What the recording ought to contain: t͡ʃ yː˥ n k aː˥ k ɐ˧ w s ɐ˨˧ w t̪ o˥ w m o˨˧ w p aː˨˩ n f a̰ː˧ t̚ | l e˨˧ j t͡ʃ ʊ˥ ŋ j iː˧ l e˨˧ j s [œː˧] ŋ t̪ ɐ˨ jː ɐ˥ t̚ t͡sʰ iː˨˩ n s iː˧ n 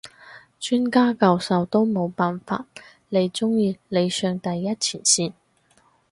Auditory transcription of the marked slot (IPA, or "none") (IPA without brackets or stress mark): œː˧